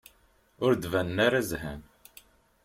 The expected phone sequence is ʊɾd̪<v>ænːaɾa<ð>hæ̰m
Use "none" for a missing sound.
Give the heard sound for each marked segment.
v, z

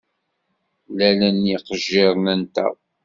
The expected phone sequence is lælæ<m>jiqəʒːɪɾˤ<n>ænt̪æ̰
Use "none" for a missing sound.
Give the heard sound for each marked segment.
n, n

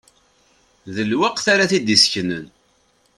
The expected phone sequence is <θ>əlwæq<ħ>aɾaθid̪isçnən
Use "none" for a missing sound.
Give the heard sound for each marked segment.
ð, θ

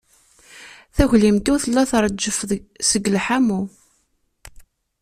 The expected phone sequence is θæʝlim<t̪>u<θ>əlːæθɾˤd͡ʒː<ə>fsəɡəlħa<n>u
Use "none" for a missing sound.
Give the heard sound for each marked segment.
t̪, θ, ə, m

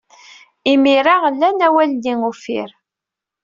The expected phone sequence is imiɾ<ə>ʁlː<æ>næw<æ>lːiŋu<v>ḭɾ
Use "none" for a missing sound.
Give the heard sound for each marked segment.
a, æ, æ, f

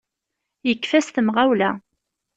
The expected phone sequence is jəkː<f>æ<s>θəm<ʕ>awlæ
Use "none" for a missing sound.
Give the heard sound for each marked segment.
f, s, ʁ

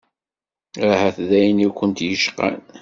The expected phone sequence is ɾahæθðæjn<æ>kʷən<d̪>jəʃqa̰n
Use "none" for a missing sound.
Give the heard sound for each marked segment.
i, t̪

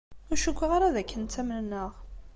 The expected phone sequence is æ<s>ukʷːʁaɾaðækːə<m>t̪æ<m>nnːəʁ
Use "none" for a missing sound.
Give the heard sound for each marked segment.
ʃ, n, m

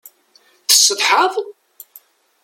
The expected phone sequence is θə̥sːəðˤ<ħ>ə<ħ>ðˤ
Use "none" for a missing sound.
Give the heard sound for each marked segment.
ħ, none

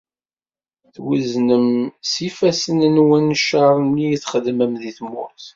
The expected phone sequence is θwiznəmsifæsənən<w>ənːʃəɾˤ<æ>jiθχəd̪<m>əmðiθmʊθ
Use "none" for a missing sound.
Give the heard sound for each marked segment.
w, i, m

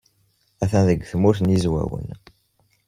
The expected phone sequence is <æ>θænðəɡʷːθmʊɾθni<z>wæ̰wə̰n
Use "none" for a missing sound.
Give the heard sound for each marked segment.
æ, z

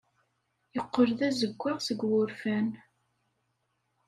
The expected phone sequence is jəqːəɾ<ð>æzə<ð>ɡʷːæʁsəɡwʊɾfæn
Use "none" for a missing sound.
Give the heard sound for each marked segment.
ð, none

